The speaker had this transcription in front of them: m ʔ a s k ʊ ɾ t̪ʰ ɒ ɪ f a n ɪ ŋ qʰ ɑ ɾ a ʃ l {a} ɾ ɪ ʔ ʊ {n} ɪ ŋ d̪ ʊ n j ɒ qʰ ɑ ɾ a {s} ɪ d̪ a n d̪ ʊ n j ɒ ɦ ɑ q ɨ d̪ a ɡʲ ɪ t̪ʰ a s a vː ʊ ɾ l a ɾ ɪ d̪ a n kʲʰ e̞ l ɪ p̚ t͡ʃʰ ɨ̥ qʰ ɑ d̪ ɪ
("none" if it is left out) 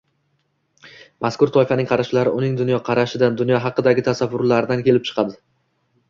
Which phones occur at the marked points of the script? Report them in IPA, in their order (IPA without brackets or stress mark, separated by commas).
a, n, ʃ